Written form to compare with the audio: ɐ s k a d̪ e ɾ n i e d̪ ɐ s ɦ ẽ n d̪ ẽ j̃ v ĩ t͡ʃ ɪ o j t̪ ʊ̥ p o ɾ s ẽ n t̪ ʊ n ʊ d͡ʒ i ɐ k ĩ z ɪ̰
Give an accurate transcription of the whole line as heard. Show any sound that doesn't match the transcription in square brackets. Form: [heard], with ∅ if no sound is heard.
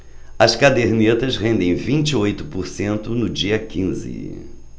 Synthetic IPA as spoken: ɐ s k a d̪ e ɾ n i e [t̪] ɐ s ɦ ẽ n d̪ ẽ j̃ v ĩ t͡ʃ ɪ o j t̪ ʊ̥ p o ɾ s ẽ n t̪ ʊ n ʊ d͡ʒ i ɐ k ĩ z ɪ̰